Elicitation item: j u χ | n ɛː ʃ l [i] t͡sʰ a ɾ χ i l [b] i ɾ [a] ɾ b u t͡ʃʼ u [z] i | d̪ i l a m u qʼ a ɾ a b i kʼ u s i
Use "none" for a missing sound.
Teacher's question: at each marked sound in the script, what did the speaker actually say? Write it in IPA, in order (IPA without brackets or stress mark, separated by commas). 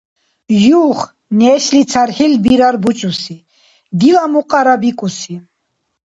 i, b, a, s